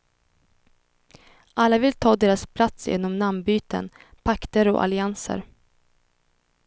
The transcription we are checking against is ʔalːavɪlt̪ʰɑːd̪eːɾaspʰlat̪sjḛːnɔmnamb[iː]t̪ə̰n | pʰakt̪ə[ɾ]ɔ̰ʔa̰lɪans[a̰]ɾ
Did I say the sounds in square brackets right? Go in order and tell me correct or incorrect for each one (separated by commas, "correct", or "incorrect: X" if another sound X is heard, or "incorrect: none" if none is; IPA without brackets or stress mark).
incorrect: yː, correct, incorrect: ə̰